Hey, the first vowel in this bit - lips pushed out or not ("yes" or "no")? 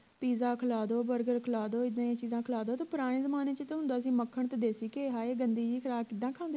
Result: no